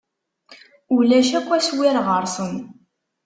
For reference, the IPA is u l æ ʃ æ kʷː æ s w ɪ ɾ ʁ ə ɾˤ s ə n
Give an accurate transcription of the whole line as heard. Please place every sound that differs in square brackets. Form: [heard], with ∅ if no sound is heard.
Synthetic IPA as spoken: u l æ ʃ æ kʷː æ s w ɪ ɾ ʁ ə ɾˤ s ə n